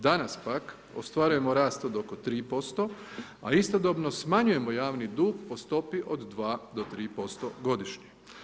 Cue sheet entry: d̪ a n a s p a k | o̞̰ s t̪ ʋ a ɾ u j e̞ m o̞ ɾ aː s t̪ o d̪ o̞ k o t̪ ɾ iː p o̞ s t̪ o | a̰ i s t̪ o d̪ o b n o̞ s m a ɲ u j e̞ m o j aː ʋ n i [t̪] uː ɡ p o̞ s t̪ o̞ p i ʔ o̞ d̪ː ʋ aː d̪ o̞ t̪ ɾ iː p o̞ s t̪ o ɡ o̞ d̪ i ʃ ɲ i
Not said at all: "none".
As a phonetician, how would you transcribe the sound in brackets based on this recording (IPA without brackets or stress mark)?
d̪